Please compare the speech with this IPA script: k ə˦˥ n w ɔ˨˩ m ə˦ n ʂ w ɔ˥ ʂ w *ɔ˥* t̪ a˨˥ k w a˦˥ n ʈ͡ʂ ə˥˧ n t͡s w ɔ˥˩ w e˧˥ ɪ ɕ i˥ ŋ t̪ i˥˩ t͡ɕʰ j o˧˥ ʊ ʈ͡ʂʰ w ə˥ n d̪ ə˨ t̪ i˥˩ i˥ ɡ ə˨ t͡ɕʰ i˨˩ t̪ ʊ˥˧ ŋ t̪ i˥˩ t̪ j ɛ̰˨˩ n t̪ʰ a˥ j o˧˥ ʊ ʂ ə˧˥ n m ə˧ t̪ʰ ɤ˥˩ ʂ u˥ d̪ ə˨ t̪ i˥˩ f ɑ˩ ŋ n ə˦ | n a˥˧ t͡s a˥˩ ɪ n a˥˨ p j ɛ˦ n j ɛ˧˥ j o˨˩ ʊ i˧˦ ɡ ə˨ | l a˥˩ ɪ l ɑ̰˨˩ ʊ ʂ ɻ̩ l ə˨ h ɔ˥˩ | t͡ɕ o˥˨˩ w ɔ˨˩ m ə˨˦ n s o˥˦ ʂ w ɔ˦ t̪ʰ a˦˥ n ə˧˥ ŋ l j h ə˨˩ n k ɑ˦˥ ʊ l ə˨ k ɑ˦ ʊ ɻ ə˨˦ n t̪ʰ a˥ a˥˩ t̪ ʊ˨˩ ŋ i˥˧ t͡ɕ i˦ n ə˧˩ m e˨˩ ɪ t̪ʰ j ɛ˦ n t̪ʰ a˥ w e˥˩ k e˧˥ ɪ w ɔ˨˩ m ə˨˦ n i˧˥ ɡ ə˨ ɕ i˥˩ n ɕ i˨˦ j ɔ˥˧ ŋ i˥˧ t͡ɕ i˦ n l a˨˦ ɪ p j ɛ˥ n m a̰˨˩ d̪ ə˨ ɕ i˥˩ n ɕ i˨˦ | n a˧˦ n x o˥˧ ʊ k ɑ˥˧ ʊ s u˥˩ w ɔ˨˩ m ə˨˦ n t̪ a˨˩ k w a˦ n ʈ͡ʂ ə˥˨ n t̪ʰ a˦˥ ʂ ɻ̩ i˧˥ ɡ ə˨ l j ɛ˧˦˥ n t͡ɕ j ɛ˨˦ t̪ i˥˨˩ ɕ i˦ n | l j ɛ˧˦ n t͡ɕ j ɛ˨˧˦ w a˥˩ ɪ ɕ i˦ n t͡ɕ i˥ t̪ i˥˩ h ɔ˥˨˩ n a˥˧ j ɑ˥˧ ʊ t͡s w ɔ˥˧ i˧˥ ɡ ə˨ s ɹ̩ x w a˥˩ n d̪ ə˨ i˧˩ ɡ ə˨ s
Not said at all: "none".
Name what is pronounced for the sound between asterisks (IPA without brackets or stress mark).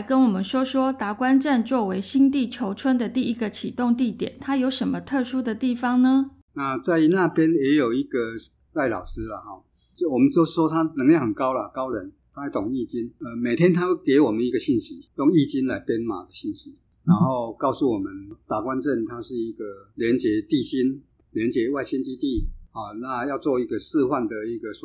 ɔ˥